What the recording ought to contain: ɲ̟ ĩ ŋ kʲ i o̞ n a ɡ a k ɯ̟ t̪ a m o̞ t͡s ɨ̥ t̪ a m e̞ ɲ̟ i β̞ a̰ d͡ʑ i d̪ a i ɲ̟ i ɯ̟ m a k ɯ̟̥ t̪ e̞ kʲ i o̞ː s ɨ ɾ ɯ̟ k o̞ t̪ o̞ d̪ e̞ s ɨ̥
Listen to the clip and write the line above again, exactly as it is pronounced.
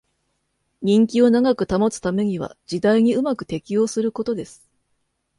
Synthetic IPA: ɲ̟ ĩ ŋ kʲ i o̞ n a ɡ a k ɯ̟ t̪ a m o̞ t͡s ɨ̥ t̪ a m e̞ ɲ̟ i β̞ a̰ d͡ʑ i d̪ a i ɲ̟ i ɯ̟ m a k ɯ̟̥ t̪ e̞ kʲ i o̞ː s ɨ ɾ ɯ̟ k o̞ t̪ o̞ d̪ e̞ s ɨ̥